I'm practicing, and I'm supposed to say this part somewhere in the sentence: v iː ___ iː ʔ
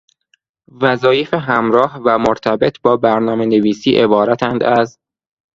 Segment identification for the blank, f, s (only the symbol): s